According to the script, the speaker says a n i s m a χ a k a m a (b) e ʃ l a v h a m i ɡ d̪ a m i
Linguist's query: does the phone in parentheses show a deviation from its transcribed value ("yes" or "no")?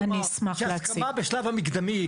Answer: no